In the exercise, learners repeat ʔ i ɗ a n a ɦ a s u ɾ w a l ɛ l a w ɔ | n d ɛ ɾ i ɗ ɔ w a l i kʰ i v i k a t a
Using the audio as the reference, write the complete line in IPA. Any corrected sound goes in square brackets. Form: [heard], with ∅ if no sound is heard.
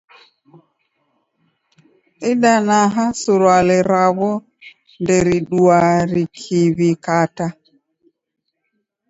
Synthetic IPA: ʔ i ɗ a n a ɦ a s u ɾ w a l ɛ [ɾ] a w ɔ | n d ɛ ɾ i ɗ [u] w a [ɾ] i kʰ i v i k a t a